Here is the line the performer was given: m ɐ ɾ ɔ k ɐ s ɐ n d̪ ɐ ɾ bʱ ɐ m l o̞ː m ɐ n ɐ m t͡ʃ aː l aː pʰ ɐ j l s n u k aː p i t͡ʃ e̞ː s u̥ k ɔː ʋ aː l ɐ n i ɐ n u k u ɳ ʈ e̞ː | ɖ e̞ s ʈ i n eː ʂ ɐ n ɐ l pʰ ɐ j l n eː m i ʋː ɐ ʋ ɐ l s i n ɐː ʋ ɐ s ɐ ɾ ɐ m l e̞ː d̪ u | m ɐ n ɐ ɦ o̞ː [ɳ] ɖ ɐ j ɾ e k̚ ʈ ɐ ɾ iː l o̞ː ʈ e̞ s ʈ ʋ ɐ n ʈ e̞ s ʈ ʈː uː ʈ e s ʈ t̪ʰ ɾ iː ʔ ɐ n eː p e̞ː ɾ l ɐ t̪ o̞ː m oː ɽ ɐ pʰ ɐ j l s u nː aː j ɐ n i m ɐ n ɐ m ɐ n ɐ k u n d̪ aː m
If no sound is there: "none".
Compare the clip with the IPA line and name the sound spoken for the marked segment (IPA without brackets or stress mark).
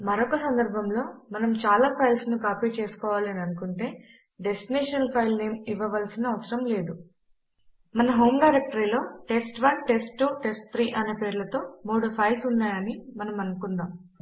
m